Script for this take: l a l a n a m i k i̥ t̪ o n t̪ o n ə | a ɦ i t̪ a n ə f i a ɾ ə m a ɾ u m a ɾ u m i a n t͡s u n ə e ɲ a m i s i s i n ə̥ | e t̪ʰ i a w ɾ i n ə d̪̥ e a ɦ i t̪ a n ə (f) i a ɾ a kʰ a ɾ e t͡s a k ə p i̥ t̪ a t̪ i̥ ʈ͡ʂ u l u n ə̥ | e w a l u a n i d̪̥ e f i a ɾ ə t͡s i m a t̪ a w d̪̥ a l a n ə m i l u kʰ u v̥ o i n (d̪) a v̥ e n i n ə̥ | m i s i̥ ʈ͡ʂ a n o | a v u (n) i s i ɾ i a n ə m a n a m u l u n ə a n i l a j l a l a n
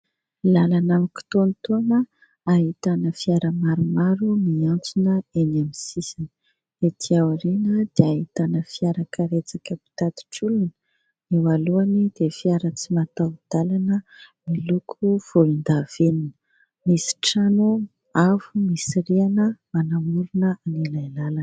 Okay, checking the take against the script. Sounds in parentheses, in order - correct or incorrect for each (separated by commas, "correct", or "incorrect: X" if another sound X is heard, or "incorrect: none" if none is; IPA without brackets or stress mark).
correct, correct, incorrect: m